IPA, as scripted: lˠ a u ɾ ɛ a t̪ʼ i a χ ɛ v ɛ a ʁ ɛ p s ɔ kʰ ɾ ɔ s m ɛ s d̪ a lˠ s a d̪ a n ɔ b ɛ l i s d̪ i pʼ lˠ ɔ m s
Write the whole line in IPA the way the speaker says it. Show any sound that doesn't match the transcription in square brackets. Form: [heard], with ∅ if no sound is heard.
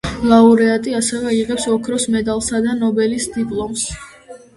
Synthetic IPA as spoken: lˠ a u ɾ ɛ a t̪ʼ i a [s] ɛ v ɛ [i] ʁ ɛ p s ɔ kʰ ɾ ɔ s m ɛ [∅] d̪ a lˠ s a d̪ a n ɔ b ɛ l i s d̪ i pʼ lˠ ɔ m s